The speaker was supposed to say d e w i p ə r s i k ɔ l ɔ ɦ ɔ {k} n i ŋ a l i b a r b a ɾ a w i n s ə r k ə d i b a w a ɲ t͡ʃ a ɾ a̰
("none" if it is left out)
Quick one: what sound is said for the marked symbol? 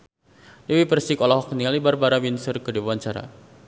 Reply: k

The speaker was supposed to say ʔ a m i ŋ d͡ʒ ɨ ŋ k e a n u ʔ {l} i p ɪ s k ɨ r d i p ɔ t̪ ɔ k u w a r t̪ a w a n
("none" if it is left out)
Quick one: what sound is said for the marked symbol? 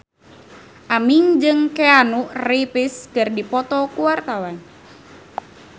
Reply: r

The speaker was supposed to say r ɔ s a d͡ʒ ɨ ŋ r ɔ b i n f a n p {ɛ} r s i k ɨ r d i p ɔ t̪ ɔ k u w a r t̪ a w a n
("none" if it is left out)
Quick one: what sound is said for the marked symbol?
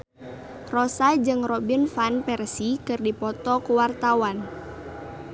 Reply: ɛ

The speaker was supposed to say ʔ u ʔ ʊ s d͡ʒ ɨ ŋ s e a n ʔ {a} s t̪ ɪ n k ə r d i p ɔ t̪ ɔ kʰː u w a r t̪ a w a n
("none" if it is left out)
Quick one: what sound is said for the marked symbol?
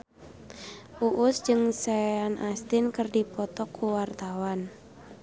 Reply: a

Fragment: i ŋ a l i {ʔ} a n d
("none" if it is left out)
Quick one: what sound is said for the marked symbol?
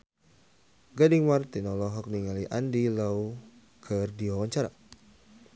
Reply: ʔ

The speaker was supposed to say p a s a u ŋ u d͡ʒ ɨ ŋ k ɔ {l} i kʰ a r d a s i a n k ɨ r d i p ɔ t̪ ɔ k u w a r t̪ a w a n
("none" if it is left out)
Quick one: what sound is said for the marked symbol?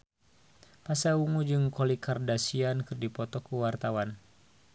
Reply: l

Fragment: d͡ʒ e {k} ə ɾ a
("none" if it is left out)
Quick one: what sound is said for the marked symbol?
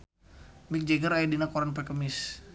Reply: ɡ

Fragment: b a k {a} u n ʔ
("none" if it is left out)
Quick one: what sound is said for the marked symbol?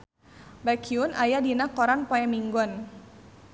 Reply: i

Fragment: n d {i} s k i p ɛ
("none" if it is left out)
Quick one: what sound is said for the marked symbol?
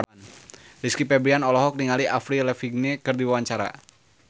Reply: i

